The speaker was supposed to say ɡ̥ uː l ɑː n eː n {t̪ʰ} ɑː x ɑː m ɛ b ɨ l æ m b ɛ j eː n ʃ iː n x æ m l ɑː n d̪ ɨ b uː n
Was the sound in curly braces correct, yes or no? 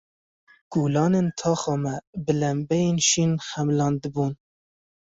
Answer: yes